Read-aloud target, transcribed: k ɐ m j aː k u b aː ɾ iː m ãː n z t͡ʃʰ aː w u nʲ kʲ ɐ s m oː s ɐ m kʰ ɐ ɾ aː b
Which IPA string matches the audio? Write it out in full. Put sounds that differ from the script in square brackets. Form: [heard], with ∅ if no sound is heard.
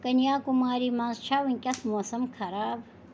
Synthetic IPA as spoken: k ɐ [n] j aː k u [m] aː ɾ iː m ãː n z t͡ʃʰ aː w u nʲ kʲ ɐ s m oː s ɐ m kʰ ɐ ɾ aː b